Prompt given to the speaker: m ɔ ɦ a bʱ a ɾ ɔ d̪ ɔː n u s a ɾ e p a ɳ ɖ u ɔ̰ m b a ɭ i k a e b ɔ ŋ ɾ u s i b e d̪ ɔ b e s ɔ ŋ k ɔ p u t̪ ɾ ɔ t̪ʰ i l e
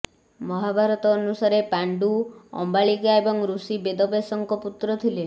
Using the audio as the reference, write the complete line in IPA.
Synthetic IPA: m ɔ ɦ a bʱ a ɾ ɔ t̪ ɔː n u s a ɾ e p a ɳ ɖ u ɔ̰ m b a ɭ i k a e b ɔ ŋ ɾ u s i b e d̪ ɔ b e s ɔ ŋ k ɔ p u t̪ ɾ ɔ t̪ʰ i l e